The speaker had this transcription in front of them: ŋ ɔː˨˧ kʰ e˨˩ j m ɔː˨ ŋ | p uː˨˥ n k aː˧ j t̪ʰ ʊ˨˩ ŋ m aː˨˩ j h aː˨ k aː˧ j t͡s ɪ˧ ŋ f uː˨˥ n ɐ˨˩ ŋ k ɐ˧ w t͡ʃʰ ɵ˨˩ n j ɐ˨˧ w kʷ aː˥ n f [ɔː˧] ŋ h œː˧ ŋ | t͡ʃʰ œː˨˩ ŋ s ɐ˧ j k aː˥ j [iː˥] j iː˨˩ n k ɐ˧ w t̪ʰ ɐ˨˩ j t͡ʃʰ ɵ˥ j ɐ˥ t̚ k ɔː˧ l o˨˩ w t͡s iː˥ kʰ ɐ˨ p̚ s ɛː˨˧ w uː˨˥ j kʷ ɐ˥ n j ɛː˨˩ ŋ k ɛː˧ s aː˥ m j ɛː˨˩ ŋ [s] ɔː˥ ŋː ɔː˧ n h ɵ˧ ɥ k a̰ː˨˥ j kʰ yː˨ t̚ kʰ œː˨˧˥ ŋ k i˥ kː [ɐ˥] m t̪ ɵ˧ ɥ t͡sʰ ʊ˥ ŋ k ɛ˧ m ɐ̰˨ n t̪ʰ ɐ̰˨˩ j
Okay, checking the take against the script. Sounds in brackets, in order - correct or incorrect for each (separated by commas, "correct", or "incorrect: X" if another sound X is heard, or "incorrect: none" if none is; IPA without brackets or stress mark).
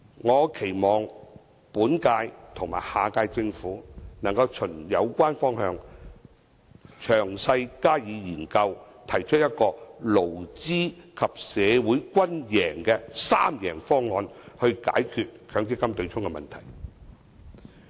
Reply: incorrect: ɔː˥, incorrect: iː˨˧, incorrect: f, correct